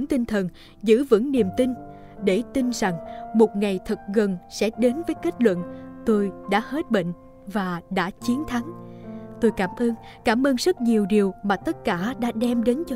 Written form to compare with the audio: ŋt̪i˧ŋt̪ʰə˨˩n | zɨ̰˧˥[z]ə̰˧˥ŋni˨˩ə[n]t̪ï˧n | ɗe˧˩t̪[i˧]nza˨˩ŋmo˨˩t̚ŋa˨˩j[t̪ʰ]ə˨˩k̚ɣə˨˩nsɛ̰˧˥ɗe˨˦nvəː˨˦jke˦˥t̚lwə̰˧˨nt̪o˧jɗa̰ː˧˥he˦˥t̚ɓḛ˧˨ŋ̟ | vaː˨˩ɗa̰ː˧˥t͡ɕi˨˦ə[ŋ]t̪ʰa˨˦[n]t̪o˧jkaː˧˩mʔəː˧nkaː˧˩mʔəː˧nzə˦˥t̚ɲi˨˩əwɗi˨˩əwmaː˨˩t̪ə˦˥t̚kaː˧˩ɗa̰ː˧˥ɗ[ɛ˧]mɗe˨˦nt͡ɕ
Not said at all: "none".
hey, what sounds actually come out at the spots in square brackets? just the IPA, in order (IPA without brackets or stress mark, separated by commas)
v, m, i˧, t̪ʰ, n, ŋ, ɛ˧